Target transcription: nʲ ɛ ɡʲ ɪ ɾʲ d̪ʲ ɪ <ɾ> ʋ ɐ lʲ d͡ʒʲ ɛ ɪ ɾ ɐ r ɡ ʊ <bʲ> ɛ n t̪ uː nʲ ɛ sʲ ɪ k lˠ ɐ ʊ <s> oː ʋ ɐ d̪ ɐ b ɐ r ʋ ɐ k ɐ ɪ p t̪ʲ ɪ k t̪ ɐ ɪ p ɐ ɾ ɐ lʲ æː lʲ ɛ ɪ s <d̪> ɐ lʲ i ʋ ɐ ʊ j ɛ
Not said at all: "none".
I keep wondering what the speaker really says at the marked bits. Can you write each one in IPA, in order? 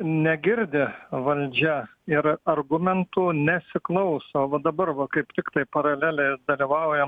none, mʲ, s, d̪

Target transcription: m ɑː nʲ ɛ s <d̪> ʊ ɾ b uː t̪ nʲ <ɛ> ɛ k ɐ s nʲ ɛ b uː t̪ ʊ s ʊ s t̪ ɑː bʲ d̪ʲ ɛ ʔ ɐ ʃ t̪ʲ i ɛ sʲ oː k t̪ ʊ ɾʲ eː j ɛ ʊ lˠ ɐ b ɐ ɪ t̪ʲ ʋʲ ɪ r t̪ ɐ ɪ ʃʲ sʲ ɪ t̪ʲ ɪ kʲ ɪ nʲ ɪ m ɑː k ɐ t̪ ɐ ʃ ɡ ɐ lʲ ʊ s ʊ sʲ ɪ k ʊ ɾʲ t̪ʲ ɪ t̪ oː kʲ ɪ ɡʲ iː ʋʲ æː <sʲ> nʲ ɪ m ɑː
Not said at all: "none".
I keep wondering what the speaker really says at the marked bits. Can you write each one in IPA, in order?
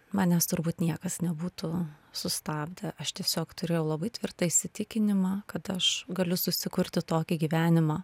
t̪, i, none

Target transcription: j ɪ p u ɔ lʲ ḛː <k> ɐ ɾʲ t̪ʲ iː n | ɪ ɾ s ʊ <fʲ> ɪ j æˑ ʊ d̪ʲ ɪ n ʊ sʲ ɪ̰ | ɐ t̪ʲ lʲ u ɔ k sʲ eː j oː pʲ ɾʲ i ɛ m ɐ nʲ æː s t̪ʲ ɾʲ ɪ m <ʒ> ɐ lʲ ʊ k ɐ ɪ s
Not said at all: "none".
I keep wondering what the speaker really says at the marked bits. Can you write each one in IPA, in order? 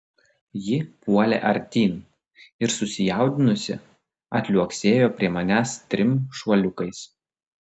ʔ, sʲ, ʃ

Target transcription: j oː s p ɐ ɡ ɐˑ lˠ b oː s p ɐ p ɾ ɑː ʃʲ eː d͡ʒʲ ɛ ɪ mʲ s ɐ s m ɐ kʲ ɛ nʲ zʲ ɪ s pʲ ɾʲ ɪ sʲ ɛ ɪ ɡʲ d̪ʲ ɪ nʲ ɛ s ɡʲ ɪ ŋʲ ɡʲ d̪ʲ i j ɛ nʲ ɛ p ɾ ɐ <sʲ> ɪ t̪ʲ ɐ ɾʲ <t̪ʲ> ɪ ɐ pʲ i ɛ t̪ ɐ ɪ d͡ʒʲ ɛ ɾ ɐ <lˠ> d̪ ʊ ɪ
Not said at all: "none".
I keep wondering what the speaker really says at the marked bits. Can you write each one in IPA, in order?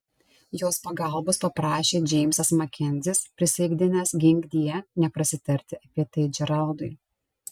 sʲ, t̪ʲ, lˠ

